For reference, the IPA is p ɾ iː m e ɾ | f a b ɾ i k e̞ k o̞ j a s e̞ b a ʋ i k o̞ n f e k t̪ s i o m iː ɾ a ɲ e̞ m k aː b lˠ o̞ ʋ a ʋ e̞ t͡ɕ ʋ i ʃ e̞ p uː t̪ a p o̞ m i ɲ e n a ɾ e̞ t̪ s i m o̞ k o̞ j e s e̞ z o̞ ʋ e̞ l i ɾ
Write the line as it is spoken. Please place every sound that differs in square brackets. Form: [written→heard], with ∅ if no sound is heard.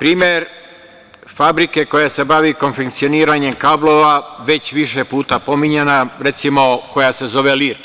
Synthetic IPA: p ɾ iː m e ɾ | f a b ɾ i k e̞ k o̞ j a s e̞ b a ʋ i k o̞ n f e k t̪ s i o [m→n] iː ɾ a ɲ e̞ m k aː b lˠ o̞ ʋ a ʋ e̞ t͡ɕ ʋ i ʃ e̞ p uː t̪ a p o̞ m i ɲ e n a ɾ e̞ t̪ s i m o̞ k o̞ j [e→a] s e̞ z o̞ ʋ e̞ l i ɾ